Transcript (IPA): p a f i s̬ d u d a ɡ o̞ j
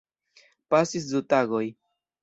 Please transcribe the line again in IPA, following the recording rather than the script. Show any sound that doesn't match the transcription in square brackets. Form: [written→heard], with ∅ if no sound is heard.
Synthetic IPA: p a [f→s] i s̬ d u [d→t] a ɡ o̞ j